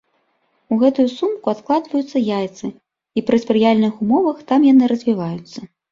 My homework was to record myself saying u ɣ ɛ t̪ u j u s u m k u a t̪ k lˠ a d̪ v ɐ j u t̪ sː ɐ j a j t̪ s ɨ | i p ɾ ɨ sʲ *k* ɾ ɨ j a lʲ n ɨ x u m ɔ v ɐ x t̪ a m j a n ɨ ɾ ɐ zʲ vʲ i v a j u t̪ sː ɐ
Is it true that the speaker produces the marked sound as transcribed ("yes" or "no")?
no